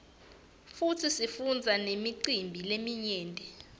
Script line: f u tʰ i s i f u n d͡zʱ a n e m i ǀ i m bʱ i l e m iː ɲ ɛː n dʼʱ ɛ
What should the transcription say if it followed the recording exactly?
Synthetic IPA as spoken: f u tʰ i s i f u n d͡zʱ a n e m i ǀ i m bʱ i l e m i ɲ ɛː n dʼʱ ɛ